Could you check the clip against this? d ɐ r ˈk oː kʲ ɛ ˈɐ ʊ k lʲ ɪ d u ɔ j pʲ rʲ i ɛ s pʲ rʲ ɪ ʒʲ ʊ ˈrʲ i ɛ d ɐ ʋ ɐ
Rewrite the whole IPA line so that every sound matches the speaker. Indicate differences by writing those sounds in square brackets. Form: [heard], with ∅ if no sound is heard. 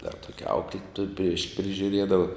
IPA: d ɐ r [ˈt] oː kʲ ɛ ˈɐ ʊ k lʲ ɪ [t] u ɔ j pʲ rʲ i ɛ [ʃ] pʲ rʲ ɪ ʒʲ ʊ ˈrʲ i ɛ d ɐ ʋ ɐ